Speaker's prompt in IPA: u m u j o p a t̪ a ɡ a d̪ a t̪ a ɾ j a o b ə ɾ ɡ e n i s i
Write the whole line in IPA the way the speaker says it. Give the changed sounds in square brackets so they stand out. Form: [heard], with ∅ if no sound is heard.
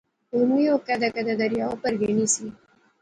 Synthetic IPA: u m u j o [k] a [d̪] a [k] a d̪ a [d̪] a ɾ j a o [p] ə ɾ ɡ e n i s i

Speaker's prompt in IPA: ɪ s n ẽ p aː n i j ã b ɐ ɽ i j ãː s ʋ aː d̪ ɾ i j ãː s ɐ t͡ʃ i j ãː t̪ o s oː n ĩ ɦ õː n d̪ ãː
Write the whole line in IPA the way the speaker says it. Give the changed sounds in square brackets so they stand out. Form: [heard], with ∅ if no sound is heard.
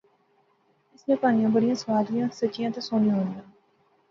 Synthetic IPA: ɪ s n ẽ p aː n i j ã b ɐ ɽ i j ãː s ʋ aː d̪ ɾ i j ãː s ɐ t͡ʃ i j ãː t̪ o s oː n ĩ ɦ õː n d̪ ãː

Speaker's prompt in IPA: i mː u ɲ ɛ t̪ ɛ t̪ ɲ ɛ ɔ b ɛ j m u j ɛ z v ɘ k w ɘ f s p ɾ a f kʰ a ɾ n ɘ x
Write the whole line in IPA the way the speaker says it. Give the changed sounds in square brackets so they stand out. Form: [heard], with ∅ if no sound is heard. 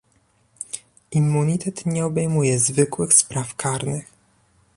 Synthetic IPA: i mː u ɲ [i] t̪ ɛ t̪ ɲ ɛ ɔ b ɛ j m u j ɛ z v ɘ k w ɘ [x] s p ɾ a f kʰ a ɾ n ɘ x

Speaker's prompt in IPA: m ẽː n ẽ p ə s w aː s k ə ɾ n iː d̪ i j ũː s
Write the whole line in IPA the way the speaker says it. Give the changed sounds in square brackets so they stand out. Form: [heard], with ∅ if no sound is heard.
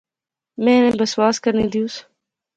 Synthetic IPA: m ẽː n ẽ [b] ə s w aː s k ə ɾ n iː d̪ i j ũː s

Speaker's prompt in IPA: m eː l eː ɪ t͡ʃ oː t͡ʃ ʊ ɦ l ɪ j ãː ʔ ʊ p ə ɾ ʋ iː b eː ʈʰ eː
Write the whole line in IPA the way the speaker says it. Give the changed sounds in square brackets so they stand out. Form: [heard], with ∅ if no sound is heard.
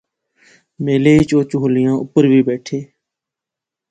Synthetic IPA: m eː l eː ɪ t͡ʃ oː t͡ʃ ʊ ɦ l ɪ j ãː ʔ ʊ p ə ɾ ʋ iː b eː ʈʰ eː

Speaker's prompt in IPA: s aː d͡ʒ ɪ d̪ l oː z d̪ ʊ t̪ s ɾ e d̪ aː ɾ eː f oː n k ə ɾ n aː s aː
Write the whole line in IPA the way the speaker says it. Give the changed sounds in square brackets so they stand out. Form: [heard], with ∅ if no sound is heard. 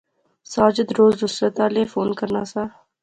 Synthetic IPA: s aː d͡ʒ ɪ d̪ [ɾ] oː z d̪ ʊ [∅] s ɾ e [t̪] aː [l] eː f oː n k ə ɾ n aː s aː

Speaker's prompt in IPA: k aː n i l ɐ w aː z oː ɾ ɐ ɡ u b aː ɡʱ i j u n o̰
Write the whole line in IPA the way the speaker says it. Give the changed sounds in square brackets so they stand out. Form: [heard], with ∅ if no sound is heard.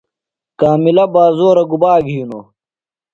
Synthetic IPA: k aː [m] i l ɐ [b] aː z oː ɾ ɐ ɡ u b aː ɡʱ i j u n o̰

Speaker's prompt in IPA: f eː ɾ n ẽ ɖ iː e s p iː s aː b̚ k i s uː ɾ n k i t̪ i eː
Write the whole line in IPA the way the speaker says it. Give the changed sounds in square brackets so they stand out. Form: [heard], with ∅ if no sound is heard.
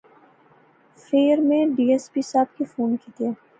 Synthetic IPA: f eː ɾ [m] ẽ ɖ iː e s p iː s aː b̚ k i [f] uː [∅] n k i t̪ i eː

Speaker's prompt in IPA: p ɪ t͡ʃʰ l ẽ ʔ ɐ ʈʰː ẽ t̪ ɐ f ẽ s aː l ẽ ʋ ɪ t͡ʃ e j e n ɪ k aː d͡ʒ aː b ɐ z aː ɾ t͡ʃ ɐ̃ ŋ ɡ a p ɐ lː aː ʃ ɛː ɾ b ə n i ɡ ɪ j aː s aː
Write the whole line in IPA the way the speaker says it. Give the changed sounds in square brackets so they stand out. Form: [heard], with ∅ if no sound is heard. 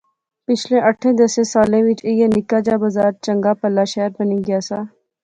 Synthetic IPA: p ɪ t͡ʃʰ l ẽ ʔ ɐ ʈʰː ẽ [d̪] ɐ [s] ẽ s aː l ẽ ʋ ɪ t͡ʃ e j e n ɪ k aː d͡ʒ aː b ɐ z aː ɾ t͡ʃ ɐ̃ ŋ ɡ a p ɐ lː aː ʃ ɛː ɾ b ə n i ɡ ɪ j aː s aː

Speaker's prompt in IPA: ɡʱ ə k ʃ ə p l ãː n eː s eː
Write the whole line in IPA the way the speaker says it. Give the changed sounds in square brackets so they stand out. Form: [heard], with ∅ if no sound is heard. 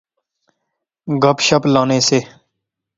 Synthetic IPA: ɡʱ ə [p] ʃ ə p l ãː n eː s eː

